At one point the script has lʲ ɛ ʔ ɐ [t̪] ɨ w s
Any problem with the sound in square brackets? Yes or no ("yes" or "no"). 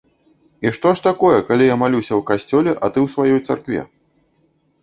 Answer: no